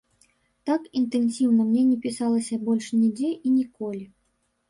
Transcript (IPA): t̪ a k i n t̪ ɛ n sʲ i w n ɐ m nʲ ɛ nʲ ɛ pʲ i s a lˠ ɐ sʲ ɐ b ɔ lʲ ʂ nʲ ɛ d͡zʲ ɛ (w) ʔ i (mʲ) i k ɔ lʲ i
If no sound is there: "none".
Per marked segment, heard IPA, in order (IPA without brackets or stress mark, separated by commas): none, nʲ